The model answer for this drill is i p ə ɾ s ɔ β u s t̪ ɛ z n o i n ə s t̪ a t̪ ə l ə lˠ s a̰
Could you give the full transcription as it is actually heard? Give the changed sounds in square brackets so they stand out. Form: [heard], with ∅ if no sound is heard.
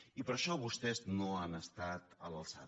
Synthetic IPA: i p ə ɾ [ʃ] ɔ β u s t̪ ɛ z n o [a] n ə s t̪ a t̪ ə l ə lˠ s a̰